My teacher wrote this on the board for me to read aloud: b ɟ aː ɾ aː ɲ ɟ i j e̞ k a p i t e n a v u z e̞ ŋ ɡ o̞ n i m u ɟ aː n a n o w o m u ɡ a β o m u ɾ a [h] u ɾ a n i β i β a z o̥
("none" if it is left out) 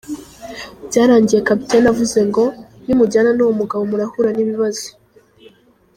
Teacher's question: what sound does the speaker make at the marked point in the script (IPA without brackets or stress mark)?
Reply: h